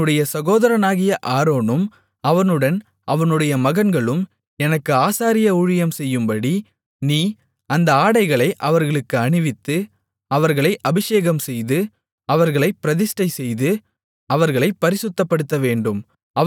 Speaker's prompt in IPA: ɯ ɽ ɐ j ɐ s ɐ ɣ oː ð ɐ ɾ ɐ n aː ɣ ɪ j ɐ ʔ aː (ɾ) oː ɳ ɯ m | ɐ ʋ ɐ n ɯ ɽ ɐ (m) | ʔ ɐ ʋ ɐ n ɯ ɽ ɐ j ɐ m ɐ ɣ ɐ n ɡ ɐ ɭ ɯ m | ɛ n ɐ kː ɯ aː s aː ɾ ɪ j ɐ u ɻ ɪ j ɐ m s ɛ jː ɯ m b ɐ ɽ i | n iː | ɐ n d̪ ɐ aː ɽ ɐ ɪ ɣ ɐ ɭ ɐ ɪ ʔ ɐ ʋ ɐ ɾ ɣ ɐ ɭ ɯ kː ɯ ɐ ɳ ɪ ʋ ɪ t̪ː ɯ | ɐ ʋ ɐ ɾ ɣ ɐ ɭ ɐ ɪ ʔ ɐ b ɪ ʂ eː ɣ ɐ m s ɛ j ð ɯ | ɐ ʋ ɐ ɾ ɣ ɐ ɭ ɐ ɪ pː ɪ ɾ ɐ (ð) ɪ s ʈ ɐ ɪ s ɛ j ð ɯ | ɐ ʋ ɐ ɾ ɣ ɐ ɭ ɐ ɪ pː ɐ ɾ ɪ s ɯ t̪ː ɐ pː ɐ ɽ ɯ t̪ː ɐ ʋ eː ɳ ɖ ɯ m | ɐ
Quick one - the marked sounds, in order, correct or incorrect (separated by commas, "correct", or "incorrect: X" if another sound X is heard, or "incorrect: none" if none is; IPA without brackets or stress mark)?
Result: correct, incorrect: n, correct